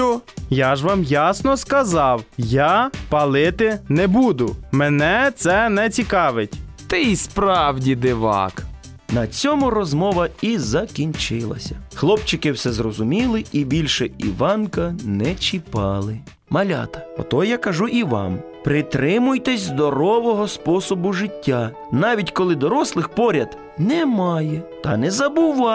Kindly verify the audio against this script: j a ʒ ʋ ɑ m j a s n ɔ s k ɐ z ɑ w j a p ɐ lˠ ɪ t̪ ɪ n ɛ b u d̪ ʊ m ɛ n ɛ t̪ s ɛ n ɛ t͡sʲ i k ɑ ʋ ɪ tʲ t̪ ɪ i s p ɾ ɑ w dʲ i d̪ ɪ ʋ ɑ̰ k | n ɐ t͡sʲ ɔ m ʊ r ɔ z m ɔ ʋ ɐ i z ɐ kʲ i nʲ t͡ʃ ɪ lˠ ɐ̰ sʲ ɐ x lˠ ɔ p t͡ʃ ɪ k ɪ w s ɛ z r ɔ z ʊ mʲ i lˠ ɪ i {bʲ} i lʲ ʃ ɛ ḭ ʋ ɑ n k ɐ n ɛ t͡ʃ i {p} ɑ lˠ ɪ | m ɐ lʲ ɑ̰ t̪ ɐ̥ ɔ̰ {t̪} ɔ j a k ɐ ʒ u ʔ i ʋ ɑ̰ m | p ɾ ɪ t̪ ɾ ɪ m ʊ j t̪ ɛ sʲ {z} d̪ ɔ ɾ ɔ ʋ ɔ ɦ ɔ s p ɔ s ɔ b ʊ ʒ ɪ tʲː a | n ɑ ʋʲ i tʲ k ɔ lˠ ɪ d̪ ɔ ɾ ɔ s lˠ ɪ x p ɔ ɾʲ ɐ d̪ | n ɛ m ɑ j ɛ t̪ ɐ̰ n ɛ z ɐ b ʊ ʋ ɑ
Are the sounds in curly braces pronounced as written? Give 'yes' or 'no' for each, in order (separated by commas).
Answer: yes, yes, yes, yes